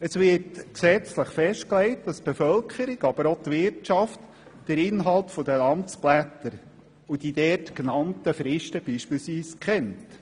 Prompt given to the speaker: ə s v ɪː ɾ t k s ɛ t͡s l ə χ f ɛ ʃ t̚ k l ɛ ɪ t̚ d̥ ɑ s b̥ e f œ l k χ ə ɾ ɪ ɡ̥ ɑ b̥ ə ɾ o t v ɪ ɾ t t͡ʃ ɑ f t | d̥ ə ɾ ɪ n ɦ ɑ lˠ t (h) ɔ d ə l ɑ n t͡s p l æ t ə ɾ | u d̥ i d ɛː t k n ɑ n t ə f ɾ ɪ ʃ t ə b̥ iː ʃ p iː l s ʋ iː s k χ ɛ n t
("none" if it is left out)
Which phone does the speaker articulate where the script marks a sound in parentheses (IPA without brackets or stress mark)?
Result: f